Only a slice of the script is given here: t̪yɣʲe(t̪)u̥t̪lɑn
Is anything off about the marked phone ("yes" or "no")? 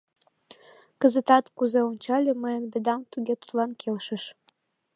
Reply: no